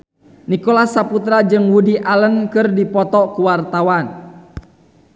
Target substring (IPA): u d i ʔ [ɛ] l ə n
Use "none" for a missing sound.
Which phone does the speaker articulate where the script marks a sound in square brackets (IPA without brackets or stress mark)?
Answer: a